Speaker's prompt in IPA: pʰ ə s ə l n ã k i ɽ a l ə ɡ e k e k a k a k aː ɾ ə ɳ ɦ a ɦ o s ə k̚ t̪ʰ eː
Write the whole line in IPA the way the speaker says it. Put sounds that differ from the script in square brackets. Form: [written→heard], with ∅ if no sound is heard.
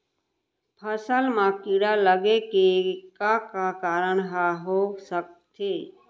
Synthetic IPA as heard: pʰ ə s ə l [n→m] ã k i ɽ a l ə ɡ e k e k a k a k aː ɾ ə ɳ ɦ a ɦ o s ə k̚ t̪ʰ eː